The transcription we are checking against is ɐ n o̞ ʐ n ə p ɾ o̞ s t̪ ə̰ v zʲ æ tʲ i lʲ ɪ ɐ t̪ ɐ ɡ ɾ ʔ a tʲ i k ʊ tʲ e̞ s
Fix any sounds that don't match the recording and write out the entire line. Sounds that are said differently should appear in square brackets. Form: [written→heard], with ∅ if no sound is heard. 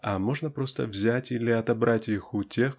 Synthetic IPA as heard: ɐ [n→m] o̞ ʐ n ə p ɾ o̞ s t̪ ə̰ v zʲ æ tʲ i lʲ ɪ ɐ t̪ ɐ [ɡ→b] ɾ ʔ a tʲ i [k→x] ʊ tʲ e̞ [s→x]

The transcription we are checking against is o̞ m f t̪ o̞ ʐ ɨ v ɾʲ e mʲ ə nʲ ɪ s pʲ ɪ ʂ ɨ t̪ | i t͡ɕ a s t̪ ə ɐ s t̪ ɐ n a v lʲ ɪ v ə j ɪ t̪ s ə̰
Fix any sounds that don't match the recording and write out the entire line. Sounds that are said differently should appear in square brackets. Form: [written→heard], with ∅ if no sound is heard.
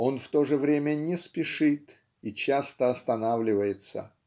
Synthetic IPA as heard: o̞ [m→n] f t̪ o̞ ʐ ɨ v ɾʲ e mʲ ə nʲ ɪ s pʲ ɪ ʂ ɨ t̪ | i t͡ɕ a s t̪ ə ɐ s t̪ ɐ n a v lʲ ɪ v ə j ɪ t̪ s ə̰

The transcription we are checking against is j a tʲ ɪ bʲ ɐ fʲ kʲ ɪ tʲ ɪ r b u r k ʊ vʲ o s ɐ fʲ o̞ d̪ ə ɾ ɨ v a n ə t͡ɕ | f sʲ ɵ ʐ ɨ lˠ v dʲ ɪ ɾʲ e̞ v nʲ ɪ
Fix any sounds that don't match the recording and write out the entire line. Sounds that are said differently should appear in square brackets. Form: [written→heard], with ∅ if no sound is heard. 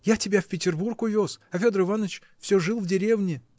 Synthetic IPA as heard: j a tʲ ɪ bʲ [ɐ→a] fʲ [kʲ→pʲ] ɪ tʲ ɪ r b u r k ʊ vʲ o s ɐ fʲ o̞ d̪ ə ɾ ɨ v a n ə t͡ɕ | f sʲ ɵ ʐ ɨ lˠ v dʲ ɪ ɾʲ e̞ v nʲ ɪ

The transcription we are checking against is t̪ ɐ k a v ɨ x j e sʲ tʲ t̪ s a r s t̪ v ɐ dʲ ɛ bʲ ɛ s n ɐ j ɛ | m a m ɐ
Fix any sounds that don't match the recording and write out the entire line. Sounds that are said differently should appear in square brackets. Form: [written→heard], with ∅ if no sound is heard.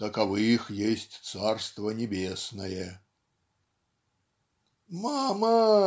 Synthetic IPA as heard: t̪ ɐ k a v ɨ x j e sʲ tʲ t̪ s a r s t̪ v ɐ [dʲ→nʲ] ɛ bʲ [ɛ→e] s n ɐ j ɛ | m a m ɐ

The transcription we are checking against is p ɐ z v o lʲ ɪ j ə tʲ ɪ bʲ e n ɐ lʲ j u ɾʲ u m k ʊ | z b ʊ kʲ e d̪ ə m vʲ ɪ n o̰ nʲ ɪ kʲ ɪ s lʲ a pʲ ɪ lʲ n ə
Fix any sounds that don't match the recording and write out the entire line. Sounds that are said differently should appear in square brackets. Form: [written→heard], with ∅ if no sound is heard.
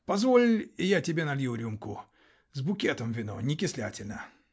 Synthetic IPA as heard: p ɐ z v o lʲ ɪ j [ə→a] tʲ ɪ bʲ e n ɐ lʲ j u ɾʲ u m k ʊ | z b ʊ kʲ e [d̪→t̪] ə m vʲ ɪ n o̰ nʲ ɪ kʲ ɪ s lʲ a [pʲ→tʲ] ɪ lʲ n ə

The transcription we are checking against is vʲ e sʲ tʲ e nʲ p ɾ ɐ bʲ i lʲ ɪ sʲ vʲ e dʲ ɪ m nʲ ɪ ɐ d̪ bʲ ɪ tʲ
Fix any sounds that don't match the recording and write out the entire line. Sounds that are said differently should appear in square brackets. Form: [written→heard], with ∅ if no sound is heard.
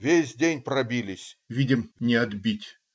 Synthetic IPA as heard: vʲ e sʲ [tʲ→dʲ] e nʲ p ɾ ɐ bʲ i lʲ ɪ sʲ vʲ [e→i] dʲ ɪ m nʲ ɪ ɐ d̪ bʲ [ɪ→i] tʲ

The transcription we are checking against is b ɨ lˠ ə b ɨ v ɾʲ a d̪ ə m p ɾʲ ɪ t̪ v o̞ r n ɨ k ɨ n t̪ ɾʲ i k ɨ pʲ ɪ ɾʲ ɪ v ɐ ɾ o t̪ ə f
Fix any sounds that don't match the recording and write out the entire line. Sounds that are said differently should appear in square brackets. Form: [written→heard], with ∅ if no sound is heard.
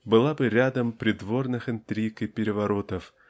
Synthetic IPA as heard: b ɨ lˠ [ə→a] b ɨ [v→∅] ɾʲ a d̪ ə m p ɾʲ ɪ [t̪→d̪] v o̞ r n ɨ [k→x] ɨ n t̪ ɾʲ i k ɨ pʲ ɪ ɾʲ ɪ v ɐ ɾ o t̪ ə f

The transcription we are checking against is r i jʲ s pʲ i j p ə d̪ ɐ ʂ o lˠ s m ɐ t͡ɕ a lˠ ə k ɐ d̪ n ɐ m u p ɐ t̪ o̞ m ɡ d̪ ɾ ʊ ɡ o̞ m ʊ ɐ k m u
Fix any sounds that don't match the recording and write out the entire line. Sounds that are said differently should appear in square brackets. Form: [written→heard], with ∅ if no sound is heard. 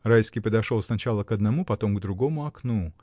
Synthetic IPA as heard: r [i→a] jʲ s [pʲ→kʲ] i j p ə d̪ ɐ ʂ o lˠ s [m→n] ɐ t͡ɕ a lˠ ə k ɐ d̪ n ɐ m u p ɐ t̪ o̞ m ɡ d̪ ɾ ʊ ɡ o̞ m ʊ ɐ k [m→n] u

